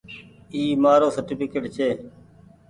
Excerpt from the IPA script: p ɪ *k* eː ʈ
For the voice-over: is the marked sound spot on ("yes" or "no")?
yes